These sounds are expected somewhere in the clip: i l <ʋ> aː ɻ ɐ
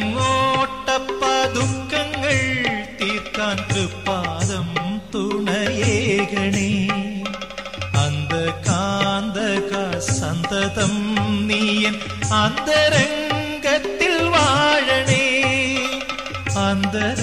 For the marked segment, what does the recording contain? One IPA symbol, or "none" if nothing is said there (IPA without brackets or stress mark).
ʋ